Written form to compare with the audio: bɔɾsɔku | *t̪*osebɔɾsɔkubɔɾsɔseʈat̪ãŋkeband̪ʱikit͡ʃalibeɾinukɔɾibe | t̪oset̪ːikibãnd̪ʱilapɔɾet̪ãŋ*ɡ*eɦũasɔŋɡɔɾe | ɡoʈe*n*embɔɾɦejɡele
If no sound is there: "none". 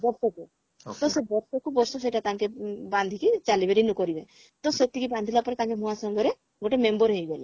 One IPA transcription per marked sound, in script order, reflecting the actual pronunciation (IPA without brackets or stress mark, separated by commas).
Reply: t̪, k, m